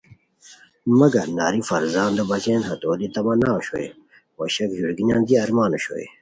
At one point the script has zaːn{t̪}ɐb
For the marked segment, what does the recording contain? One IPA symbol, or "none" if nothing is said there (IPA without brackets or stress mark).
d̪